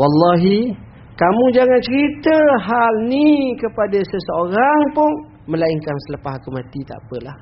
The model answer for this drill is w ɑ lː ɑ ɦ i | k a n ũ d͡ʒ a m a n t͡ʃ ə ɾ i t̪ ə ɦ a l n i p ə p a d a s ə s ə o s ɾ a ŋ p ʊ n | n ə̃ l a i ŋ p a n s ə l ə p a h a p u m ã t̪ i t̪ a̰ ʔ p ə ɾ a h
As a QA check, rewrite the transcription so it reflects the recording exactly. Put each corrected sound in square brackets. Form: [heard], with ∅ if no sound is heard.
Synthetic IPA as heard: w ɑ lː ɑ ɦ i | k a [m] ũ d͡ʒ a [ŋ] a n t͡ʃ ə ɾ i t̪ ə ɦ a l n i [k] ə p a d a s ə s ə o [∅] ɾ a ŋ p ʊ n | [m] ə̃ l a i ŋ [k] a n s ə l ə p a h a [k] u m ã t̪ i t̪ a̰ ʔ p ə [l] a h